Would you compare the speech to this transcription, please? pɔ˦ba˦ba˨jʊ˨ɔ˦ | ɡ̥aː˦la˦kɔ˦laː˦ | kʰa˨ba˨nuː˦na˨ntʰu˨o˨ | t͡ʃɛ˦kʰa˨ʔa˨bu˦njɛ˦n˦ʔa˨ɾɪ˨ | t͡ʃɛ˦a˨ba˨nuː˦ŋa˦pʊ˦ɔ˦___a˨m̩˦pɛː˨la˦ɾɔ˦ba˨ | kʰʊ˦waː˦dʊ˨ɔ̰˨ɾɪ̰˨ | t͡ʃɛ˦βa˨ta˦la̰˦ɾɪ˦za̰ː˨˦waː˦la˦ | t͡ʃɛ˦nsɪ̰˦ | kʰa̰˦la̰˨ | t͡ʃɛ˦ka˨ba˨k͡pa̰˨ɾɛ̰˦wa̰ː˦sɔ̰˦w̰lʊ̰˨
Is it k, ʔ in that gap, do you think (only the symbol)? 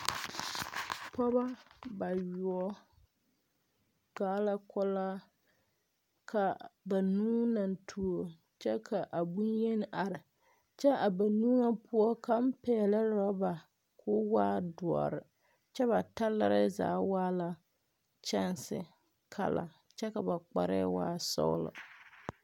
k